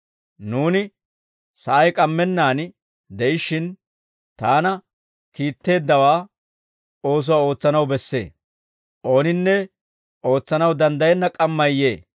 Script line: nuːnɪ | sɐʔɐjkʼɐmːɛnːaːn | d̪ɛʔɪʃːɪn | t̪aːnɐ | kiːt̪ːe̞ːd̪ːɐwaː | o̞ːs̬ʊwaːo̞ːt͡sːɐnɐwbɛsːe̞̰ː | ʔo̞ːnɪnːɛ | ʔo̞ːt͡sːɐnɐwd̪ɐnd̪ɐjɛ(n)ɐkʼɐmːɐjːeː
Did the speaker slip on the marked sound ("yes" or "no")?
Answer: yes